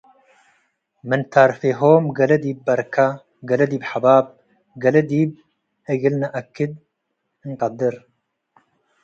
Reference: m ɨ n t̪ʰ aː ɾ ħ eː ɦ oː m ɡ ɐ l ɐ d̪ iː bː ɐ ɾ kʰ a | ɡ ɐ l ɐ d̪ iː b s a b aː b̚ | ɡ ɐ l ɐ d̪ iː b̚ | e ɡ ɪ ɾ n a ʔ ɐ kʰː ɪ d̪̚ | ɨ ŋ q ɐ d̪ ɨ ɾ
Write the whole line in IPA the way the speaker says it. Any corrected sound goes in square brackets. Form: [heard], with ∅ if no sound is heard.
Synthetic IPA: m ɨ n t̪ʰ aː ɾ [f] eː ɦ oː m ɡ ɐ l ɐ d̪ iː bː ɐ ɾ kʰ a | ɡ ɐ l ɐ d̪ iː b [ħ] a b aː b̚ | ɡ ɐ l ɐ d̪ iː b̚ | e ɡ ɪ [l] n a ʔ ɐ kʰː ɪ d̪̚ | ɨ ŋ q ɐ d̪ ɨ ɾ